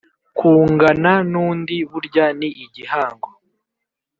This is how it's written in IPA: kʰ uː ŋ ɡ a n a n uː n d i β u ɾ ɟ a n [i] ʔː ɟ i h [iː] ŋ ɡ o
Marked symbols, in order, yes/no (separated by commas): yes, no